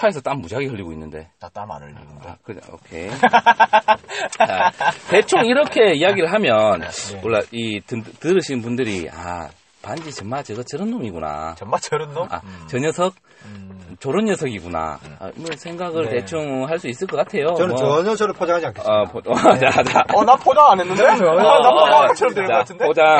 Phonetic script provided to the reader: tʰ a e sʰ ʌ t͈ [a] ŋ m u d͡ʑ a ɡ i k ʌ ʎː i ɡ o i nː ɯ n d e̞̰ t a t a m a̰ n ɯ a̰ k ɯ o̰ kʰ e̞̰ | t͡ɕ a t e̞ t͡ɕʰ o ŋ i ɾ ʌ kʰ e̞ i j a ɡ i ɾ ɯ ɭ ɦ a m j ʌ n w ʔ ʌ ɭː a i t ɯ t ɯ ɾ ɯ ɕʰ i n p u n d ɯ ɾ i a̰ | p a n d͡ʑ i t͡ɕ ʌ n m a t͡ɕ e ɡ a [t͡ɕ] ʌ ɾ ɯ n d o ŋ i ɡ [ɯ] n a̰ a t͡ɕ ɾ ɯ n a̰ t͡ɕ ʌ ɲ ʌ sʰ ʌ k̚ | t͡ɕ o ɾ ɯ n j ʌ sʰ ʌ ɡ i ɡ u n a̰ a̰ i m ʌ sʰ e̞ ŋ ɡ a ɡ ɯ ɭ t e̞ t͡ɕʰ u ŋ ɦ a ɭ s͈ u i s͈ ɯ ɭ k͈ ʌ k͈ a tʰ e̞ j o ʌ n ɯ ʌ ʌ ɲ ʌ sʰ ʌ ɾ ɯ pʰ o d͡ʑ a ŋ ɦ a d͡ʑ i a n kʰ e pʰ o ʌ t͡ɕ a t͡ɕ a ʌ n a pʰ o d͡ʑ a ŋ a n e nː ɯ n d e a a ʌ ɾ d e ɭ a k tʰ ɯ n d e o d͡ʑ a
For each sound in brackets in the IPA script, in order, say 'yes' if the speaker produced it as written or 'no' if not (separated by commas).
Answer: yes, yes, no